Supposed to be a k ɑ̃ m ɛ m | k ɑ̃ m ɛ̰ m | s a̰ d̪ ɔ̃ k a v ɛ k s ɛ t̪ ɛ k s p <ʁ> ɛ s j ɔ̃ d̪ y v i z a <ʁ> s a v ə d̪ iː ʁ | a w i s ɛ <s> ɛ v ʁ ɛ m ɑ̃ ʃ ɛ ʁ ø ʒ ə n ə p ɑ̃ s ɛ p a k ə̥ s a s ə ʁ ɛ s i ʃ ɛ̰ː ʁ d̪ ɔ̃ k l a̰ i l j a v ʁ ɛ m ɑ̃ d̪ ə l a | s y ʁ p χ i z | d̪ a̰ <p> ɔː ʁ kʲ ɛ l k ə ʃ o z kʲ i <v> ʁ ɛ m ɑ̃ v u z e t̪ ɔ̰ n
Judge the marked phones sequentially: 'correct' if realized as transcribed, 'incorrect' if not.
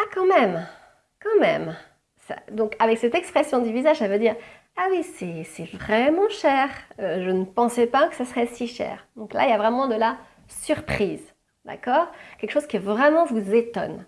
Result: incorrect, incorrect, correct, incorrect, correct

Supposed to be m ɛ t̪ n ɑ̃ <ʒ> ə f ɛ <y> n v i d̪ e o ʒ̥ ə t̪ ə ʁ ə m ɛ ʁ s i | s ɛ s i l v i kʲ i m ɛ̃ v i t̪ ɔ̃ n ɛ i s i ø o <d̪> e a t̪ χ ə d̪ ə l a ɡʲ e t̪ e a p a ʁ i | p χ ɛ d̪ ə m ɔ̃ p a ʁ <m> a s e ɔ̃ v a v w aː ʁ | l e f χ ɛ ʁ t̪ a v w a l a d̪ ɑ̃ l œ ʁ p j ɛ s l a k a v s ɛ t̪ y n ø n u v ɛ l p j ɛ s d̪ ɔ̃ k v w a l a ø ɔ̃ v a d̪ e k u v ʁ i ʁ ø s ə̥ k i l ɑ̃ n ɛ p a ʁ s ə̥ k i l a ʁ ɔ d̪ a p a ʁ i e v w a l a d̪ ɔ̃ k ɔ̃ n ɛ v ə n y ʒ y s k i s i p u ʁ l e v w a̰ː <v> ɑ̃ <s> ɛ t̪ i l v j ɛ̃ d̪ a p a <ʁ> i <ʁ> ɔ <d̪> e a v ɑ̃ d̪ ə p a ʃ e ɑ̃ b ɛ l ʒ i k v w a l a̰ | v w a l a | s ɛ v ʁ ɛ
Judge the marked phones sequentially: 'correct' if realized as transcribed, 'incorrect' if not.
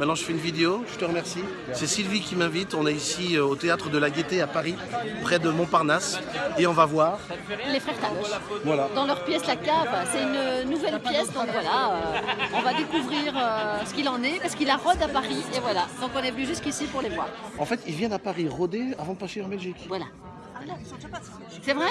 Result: correct, correct, incorrect, incorrect, incorrect, incorrect, correct, correct, correct

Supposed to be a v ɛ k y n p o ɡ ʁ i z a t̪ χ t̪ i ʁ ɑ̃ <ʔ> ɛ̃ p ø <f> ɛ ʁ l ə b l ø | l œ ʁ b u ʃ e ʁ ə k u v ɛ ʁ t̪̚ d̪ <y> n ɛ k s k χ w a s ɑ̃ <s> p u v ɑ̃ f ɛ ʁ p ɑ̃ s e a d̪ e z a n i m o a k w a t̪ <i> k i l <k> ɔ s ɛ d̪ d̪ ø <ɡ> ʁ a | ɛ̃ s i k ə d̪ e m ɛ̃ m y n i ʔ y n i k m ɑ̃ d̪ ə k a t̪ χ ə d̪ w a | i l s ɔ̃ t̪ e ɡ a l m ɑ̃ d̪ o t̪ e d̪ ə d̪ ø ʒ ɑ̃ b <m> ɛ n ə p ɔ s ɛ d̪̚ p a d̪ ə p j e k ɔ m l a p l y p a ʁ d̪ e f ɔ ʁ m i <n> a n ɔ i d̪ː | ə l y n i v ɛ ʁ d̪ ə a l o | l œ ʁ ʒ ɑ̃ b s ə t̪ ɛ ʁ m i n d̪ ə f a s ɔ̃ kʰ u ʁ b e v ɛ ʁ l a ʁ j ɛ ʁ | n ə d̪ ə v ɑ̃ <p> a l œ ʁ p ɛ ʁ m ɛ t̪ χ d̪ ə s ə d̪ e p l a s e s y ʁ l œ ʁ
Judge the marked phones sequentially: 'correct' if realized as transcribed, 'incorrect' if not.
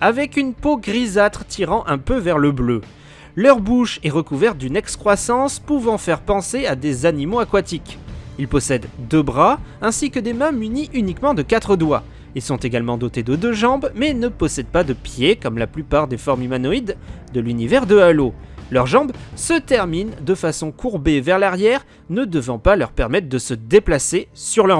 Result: correct, incorrect, correct, correct, correct, incorrect, incorrect, correct, incorrect, correct

